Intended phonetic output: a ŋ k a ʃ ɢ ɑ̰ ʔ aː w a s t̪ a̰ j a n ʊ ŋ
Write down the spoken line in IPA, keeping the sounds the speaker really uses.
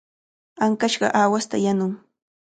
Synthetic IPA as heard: a ŋ k a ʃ ɢ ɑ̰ ʔ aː w a s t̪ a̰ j a n ʊ ŋ